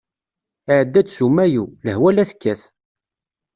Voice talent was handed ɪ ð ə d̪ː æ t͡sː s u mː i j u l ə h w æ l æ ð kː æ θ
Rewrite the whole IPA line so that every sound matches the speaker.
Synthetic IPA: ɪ ʕ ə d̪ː æ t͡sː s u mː æ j u l ə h w æ l æ θ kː æ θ